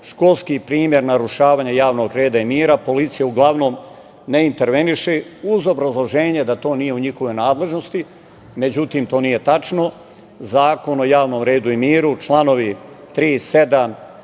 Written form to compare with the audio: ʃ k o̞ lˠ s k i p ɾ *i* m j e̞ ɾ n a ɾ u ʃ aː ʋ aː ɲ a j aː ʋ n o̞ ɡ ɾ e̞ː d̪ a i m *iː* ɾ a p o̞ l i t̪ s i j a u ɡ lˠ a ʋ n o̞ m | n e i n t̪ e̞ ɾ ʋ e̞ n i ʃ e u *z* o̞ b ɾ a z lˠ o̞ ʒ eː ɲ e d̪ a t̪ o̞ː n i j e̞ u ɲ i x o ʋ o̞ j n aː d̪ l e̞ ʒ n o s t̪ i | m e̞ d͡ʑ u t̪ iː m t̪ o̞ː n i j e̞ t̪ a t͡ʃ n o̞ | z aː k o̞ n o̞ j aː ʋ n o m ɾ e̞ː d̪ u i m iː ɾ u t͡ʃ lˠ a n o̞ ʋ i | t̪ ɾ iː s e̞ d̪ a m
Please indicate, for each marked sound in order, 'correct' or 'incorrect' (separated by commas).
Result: incorrect, correct, correct